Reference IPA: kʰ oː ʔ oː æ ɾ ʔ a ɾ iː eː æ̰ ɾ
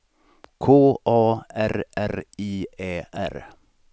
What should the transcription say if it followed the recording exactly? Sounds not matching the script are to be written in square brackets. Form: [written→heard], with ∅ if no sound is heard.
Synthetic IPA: kʰ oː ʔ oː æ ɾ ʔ [a→æ] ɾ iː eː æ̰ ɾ

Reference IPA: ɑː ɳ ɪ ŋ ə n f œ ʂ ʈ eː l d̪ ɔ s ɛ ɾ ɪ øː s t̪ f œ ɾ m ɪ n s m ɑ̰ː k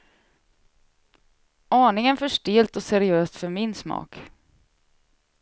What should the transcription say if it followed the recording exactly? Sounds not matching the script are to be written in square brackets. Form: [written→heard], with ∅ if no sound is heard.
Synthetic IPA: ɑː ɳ ɪ ŋ ə n f œ ʂ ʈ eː l [d̪→t̪] ɔ s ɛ ɾ ɪ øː s t̪ f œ ɾ m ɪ n s m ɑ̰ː k

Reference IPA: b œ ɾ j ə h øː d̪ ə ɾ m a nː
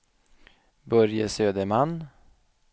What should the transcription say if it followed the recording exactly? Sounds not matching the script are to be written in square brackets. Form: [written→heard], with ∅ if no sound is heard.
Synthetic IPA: b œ ɾ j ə [h→s] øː d̪ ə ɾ m a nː

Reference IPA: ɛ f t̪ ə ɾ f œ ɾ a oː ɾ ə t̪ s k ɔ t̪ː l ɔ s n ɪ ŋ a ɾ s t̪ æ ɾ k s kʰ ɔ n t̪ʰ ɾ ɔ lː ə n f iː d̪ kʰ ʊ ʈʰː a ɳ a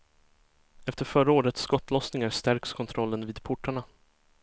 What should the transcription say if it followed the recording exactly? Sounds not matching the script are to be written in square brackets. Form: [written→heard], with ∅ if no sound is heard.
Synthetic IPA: ɛ f t̪ ə ɾ f œ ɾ a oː ɾ ə t̪ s k ɔ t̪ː l ɔ s n ɪ ŋ a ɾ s t̪ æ ɾ k s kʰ ɔ n t̪ʰ ɾ ɔ lː ə n [f→v] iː d̪ [kʰ→pʰ] ʊ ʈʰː a ɳ a

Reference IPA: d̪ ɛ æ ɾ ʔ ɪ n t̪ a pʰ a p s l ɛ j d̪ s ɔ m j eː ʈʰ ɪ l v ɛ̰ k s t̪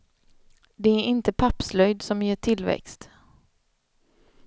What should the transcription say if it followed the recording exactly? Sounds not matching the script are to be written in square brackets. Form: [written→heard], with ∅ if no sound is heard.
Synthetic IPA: d̪ ɛ æ ɾ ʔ ɪ n t̪ [a→ə] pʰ a p s l [ɛ→œ] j d̪ s ɔ m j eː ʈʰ ɪ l v ɛ̰ k s t̪

